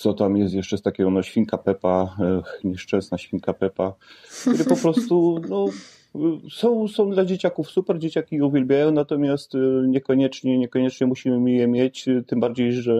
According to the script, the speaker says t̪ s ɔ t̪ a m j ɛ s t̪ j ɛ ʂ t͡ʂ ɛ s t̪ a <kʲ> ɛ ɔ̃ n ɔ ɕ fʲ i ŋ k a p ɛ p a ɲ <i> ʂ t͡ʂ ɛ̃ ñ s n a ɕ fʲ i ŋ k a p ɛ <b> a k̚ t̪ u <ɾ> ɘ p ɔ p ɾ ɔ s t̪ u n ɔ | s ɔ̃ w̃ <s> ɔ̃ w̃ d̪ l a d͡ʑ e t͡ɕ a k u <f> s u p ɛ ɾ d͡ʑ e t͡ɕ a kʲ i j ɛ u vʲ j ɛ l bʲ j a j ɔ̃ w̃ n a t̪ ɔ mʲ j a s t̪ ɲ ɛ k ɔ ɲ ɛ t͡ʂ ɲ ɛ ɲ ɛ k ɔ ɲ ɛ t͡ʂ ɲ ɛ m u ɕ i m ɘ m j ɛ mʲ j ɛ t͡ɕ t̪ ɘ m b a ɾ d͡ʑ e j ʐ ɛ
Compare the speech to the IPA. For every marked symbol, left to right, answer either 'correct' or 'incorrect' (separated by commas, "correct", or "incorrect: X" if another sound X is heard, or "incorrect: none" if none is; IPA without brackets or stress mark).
correct, incorrect: ɛ, incorrect: p, correct, correct, correct